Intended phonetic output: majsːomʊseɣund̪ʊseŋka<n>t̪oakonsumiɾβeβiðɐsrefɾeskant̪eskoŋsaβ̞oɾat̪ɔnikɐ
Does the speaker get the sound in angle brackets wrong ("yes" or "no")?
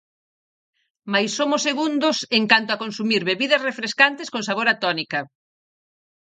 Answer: no